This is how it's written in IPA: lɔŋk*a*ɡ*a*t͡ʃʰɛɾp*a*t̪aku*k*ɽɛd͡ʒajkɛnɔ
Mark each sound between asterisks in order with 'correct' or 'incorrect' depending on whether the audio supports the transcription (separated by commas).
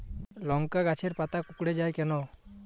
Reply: correct, correct, correct, correct